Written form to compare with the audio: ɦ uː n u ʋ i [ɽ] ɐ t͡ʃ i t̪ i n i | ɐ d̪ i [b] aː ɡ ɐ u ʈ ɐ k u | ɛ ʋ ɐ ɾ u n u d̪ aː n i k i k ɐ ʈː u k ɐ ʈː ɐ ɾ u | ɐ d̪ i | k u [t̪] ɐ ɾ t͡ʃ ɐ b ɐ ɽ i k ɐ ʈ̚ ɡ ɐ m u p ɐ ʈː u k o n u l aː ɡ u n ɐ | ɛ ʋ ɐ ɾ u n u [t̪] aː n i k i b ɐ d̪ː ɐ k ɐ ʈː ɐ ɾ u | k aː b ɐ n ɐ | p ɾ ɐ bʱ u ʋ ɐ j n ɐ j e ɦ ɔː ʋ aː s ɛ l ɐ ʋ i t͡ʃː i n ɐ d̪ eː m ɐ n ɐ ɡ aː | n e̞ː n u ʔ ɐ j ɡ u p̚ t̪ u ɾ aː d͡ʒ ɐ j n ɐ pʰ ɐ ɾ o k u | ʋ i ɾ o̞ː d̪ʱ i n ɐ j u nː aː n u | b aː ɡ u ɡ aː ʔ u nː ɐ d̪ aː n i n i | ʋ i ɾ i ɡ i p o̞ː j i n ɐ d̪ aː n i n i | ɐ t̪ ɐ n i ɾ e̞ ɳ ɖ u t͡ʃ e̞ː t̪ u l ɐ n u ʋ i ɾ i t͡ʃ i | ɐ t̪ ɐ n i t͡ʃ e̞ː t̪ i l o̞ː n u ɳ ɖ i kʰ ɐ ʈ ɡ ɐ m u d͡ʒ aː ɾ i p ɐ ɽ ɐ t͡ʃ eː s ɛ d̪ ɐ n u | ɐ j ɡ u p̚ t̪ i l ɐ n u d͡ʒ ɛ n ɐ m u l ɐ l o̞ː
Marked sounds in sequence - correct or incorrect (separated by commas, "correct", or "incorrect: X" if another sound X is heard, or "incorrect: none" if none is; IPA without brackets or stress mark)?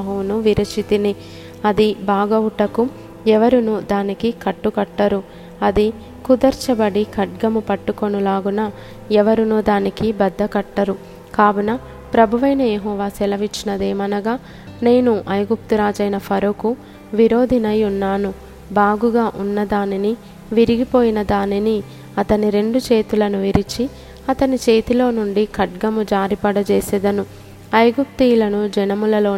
incorrect: ɾ, correct, incorrect: d̪, incorrect: d̪